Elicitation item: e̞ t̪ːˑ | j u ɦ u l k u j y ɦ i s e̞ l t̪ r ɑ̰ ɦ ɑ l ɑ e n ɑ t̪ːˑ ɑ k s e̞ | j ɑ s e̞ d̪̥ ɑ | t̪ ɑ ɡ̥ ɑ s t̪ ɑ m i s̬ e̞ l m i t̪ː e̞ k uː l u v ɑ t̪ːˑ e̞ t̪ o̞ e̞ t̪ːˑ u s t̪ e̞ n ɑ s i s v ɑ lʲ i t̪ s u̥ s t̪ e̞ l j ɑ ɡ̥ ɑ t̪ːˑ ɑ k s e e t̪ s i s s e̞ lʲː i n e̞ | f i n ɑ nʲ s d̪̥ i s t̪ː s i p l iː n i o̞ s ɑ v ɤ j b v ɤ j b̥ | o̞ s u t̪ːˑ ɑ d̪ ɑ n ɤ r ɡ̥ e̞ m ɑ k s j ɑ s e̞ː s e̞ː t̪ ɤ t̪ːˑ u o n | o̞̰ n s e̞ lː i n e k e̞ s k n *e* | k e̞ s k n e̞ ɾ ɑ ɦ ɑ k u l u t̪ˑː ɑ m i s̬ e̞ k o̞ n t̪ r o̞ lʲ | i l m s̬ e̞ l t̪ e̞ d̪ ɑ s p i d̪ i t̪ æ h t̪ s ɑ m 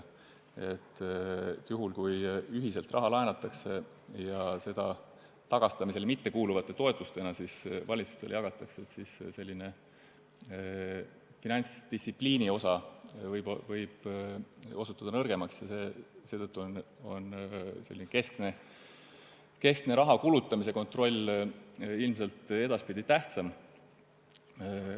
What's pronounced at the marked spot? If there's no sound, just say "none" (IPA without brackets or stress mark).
e